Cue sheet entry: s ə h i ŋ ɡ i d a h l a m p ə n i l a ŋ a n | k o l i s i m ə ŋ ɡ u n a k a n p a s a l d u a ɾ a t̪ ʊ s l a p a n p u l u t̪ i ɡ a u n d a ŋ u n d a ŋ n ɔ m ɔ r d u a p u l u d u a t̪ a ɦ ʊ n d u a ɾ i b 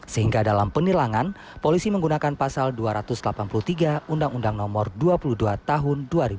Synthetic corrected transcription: s ə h i ŋ ɡ a d a l a m p ə n i l a ŋ a n | p o l i s i m ə ŋ ɡ u n a k a n p a s a l d u a ɾ a t̪ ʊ s l a p a n p u l u t̪ i ɡ a u n d a ŋ u n d a ŋ n ɔ m ɔ r d u a p u l u d u a t̪ a ɦ ʊ n d u a ɾ i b